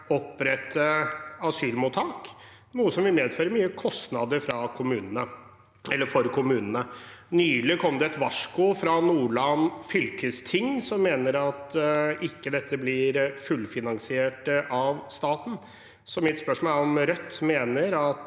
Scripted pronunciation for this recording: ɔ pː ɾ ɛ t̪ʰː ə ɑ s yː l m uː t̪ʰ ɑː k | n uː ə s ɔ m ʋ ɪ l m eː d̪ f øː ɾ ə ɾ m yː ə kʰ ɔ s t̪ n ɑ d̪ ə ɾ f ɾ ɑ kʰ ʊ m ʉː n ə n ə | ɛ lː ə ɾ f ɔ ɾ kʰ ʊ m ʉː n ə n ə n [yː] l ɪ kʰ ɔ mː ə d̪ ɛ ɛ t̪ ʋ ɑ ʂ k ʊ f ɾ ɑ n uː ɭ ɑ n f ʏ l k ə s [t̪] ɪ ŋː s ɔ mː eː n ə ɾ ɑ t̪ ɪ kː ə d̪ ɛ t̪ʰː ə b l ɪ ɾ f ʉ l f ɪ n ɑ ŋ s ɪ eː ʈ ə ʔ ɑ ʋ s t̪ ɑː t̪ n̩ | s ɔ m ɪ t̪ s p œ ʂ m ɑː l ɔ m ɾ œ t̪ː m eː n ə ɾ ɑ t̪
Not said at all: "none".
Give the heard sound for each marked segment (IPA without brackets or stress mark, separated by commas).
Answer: yː, t̪ʰ